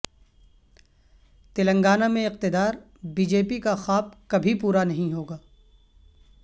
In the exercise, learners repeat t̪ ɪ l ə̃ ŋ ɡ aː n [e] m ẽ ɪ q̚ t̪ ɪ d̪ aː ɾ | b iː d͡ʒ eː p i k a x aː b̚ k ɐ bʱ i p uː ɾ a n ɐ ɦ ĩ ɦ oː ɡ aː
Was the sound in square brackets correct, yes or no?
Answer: no